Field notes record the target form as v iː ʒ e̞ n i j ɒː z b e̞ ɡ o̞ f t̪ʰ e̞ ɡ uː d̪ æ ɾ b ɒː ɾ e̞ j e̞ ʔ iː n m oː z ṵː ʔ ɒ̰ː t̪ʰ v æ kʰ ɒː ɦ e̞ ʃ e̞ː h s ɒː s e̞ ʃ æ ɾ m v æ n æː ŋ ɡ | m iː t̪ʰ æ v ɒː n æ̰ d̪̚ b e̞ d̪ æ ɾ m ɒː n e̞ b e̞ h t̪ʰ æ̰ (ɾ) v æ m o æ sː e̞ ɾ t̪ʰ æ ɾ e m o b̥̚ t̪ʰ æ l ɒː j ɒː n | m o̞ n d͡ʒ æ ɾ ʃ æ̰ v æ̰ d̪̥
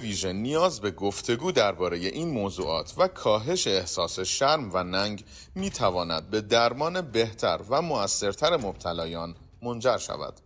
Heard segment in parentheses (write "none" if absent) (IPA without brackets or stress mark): ɾ